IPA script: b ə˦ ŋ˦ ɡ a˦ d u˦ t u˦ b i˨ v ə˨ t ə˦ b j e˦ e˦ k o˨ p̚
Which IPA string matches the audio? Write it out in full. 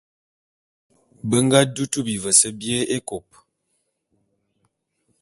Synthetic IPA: b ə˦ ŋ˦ ɡ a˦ d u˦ t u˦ b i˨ v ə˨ s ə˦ b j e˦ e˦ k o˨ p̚